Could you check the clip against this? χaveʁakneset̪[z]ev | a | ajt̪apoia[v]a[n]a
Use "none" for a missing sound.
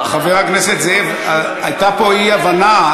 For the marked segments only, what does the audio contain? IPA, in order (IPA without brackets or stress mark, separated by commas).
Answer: z, v, n